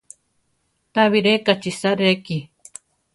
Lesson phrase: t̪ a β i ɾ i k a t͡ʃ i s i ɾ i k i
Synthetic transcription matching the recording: t̪ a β i ɾ e k a t͡ʃ i s a ɾ e k i